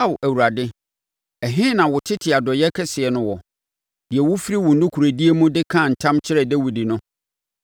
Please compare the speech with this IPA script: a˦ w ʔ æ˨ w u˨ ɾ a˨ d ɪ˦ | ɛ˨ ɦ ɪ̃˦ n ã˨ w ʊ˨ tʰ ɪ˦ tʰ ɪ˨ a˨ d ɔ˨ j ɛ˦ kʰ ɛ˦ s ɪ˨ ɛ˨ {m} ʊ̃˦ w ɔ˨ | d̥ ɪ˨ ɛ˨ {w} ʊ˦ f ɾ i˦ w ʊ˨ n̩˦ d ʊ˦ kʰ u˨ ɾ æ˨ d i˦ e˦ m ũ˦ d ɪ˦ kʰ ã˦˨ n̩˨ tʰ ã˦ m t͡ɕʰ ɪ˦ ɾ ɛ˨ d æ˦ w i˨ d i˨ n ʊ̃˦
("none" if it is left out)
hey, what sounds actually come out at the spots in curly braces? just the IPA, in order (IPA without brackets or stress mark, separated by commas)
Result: n, w